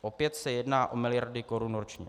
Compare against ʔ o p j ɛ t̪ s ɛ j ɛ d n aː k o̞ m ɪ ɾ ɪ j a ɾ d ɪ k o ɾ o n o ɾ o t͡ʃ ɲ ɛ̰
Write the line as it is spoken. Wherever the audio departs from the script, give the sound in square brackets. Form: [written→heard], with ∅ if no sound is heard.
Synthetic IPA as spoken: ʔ o p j ɛ t̪ s ɛ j ɛ d n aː [k→ʔ] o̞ m ɪ [ɾ→l] ɪ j a ɾ d ɪ k o ɾ [o→u] n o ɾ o t͡ʃ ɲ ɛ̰

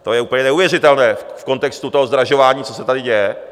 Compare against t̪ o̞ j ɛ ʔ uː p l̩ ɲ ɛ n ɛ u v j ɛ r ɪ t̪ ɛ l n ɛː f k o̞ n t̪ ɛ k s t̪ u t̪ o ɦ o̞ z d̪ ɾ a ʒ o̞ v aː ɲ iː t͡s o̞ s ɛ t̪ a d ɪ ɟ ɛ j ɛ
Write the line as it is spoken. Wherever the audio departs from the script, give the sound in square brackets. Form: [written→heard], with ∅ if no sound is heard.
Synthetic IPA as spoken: t̪ o̞ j ɛ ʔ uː p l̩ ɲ ɛ n ɛ u v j ɛ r ɪ t̪ ɛ l n ɛː f k o̞ n t̪ ɛ k s t̪ u t̪ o ɦ o̞ z d̪ ɾ a ʒ o̞ v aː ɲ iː t͡s o̞ s ɛ t̪ a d ɪ ɟ ɛ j ɛ

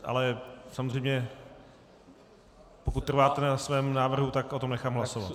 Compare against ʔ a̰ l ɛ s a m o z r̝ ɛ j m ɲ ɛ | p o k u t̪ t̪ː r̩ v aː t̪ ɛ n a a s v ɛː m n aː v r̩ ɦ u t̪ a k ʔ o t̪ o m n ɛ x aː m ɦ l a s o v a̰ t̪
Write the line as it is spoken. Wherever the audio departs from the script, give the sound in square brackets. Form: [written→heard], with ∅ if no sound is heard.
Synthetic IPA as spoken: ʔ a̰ l ɛ s a m o z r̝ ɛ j m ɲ ɛ | p o k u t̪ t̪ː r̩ v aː t̪ ɛ n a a s v ɛː m n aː v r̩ ɦ u t̪ a k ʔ o t̪ o m n ɛ x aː m ɦ l a s o v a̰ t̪

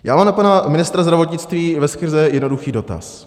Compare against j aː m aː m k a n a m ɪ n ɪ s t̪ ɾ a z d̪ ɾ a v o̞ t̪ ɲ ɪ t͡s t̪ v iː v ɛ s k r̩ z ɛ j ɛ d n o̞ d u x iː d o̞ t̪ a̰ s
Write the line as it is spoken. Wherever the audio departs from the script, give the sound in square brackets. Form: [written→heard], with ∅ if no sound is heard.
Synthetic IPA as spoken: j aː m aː m [k→p] a n a m ɪ n ɪ s t̪ ɾ a z d̪ ɾ a v o̞ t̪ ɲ ɪ t͡s t̪ v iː v ɛ s k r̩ z ɛ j ɛ d n o̞ d u x iː d o̞ t̪ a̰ s

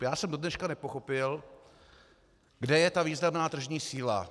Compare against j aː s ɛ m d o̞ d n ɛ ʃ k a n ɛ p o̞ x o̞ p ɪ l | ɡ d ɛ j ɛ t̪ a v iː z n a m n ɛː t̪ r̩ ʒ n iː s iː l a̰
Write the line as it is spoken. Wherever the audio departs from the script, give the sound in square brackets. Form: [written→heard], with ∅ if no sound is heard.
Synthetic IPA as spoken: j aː s ɛ m d o̞ d n ɛ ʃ k a n ɛ p o̞ x o̞ p ɪ l | ɡ d ɛ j ɛ t̪ a v iː z n a m n [ɛː→aː] t̪ r̩ ʒ [n→ɲ] iː s iː l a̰

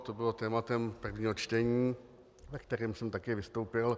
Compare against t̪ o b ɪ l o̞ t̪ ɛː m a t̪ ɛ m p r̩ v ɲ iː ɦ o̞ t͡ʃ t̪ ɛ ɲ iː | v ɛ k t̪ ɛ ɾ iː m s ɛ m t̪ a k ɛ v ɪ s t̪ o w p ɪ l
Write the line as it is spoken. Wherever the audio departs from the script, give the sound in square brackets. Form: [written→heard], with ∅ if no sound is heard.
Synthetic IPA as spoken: t̪ o b ɪ l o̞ t̪ ɛː m a t̪ ɛ m p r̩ v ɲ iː ɦ o̞ t͡ʃ t̪ ɛ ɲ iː | v ɛ k t̪ ɛ ɾ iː m s ɛ m t̪ a k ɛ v ɪ s t̪ o w p ɪ l

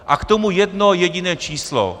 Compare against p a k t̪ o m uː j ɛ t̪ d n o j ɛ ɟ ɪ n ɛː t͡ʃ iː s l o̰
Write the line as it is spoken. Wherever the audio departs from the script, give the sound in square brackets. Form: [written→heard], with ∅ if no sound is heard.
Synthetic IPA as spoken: [p→ʔ] a k t̪ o m [uː→u] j ɛ [t̪→∅] d n o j ɛ ɟ ɪ n ɛː t͡ʃ iː s l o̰

